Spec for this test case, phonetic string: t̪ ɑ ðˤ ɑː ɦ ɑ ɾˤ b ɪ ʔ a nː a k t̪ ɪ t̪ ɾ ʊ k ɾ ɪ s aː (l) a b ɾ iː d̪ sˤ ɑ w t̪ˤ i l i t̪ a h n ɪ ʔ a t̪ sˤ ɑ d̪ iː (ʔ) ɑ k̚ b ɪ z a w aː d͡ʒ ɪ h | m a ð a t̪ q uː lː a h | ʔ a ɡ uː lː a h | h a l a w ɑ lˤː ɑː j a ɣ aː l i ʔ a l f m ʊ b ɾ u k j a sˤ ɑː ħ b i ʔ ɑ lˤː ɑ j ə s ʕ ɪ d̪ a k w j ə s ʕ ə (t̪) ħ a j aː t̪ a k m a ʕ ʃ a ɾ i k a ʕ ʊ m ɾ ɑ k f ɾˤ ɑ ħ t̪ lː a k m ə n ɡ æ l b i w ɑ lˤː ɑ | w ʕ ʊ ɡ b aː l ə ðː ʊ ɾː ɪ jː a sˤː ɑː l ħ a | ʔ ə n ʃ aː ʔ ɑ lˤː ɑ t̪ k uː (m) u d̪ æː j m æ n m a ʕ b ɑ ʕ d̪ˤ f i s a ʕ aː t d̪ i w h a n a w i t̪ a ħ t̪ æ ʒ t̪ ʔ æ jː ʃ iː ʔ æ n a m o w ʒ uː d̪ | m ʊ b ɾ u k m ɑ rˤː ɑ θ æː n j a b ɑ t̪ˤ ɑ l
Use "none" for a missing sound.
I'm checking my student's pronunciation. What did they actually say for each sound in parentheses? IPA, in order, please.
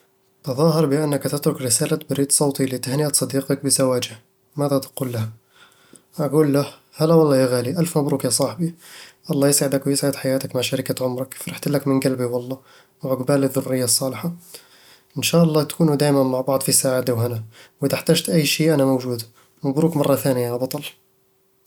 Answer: l, q, d̪, n

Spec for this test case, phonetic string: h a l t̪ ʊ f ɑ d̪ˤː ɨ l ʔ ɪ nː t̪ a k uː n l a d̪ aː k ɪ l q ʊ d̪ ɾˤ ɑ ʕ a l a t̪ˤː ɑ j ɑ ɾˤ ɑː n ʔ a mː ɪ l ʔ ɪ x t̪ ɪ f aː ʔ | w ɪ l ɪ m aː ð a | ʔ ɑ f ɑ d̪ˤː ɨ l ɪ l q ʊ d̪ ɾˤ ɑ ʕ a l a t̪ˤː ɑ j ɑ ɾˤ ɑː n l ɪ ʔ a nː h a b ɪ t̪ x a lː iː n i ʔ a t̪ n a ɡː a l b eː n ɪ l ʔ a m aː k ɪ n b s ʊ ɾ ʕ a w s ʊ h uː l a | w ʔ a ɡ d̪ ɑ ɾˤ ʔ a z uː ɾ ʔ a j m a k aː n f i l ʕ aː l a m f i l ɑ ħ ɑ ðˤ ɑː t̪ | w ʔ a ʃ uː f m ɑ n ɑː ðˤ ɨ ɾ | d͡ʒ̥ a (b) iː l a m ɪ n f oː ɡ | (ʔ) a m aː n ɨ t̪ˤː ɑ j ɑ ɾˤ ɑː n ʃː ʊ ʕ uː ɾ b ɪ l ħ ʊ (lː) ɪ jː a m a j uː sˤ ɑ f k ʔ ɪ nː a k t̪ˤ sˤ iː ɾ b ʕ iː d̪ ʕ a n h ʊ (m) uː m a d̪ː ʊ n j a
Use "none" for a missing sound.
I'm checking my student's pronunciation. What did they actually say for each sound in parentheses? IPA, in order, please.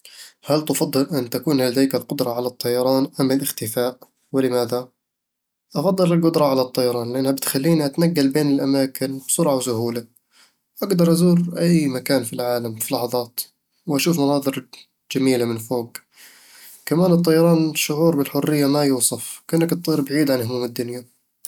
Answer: m, k, rː, m

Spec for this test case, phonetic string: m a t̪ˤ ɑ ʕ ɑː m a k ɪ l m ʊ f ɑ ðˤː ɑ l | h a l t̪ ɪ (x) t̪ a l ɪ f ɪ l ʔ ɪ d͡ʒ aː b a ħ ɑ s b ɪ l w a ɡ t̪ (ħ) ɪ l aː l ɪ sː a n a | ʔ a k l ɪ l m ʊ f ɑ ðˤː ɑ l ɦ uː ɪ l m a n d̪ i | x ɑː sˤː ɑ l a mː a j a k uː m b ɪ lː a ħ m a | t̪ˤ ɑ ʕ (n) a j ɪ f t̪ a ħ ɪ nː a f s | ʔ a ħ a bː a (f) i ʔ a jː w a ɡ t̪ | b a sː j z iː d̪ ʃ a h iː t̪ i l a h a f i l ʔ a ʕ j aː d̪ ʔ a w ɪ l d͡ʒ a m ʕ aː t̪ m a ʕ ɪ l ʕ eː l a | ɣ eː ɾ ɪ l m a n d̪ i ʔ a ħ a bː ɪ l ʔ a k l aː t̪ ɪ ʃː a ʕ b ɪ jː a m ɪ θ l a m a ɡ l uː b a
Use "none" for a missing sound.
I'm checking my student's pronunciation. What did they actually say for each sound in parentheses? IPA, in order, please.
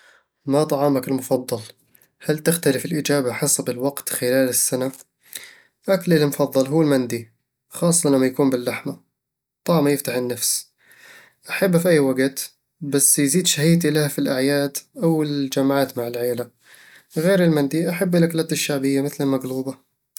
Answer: x, x, m, f

